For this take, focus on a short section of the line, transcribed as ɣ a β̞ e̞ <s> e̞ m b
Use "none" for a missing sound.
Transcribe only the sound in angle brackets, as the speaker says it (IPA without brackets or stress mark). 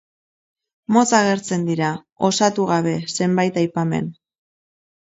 s